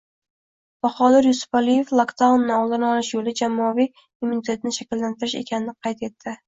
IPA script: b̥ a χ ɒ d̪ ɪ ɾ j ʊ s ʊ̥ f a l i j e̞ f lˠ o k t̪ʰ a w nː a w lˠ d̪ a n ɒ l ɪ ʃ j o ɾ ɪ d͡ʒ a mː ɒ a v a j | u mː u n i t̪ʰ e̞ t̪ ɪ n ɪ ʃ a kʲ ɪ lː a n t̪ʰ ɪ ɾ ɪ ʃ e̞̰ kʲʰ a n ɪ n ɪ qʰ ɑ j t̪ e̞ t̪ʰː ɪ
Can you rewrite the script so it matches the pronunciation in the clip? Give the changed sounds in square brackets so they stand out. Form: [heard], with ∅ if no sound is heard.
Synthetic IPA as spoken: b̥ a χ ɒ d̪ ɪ ɾ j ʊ s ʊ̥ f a l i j e̞ f lˠ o k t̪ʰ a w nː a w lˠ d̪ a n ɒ l ɪ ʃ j o [l] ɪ d͡ʒ a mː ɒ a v [i] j | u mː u n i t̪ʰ e̞ t̪ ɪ n ɪ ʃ a kʲ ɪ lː a n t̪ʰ ɪ ɾ ɪ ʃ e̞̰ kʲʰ a n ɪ n ɪ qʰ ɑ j t̪ e̞ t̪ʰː ɪ